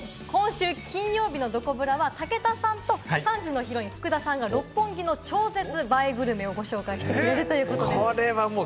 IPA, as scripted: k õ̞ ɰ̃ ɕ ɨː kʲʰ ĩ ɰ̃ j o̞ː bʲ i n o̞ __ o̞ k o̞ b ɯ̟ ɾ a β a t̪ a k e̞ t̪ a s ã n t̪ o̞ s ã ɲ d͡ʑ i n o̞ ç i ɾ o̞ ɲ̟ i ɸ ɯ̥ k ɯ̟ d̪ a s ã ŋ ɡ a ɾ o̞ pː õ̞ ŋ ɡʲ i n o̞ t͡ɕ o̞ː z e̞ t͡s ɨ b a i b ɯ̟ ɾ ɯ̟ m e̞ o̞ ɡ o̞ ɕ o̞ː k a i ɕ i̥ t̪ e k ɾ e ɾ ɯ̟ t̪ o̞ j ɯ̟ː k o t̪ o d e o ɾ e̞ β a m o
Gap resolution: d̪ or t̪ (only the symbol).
d̪